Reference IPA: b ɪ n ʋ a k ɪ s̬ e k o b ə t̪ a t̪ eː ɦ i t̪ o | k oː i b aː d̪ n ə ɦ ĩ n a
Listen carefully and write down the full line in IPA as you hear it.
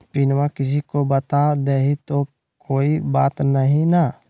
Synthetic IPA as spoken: p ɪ n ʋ a k ɪ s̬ i k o b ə t̪ a d̪ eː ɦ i t̪ o | k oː i b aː t̪ n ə ɦ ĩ n a